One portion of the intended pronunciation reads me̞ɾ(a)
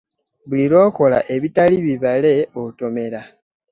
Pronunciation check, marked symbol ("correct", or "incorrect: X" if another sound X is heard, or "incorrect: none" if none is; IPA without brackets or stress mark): correct